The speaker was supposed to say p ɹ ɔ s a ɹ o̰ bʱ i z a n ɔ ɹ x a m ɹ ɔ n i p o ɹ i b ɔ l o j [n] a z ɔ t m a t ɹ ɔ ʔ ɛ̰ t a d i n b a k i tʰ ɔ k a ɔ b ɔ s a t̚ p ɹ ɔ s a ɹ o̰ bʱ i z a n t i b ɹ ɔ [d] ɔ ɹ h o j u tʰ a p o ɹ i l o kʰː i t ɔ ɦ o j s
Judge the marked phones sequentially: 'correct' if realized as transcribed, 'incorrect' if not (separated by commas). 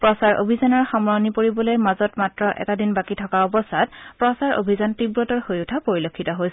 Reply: incorrect, incorrect